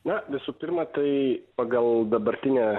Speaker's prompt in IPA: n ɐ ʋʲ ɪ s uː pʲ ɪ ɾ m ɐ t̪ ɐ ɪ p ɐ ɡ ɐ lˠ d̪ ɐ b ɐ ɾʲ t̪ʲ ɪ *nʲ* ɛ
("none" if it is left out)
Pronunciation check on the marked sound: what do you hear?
nʲ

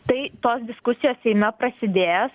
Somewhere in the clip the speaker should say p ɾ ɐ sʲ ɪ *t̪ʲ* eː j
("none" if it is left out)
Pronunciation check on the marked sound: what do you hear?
d̪ʲ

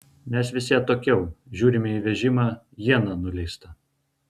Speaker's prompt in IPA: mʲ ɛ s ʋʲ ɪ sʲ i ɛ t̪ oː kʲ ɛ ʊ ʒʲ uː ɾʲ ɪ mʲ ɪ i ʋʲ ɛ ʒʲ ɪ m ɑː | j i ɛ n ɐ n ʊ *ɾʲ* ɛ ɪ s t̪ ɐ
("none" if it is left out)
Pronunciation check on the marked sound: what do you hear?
lʲ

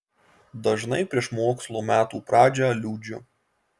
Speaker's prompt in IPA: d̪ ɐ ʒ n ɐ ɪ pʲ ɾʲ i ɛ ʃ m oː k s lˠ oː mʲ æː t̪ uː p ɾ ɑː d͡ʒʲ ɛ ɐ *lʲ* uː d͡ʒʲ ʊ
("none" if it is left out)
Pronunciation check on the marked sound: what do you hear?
lʲ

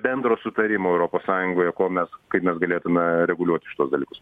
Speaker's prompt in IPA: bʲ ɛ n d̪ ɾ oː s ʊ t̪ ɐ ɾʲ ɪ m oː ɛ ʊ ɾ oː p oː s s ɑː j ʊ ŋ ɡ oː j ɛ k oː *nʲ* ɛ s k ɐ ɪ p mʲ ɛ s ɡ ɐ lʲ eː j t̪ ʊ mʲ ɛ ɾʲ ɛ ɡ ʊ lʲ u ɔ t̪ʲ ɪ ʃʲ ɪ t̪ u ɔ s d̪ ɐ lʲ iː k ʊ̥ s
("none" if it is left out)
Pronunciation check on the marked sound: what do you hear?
mʲ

